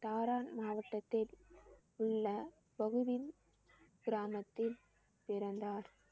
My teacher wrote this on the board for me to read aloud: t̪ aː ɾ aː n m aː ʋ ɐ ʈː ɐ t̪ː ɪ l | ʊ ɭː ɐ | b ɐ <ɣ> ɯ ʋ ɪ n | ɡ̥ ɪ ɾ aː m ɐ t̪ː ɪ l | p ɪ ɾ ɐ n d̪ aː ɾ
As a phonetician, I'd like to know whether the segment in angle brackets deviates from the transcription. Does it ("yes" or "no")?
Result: no